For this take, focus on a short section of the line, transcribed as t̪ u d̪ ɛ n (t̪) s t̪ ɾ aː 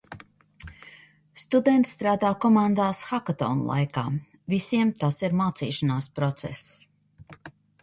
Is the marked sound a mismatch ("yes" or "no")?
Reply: no